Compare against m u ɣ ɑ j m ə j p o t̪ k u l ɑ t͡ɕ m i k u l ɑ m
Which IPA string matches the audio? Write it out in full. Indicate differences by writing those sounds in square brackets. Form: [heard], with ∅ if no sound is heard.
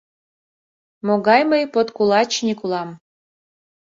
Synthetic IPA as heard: m [o] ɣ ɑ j m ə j p o t̪ k u l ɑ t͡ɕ [n] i k u l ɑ m